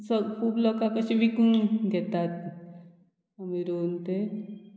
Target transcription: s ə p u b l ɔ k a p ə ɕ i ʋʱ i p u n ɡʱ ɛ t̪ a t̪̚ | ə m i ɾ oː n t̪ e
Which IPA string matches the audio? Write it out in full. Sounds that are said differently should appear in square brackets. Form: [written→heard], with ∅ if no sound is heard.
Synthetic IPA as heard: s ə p u b l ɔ k a [p→k] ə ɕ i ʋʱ i [p→k] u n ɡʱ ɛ t̪ a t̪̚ | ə m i ɾ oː n t̪ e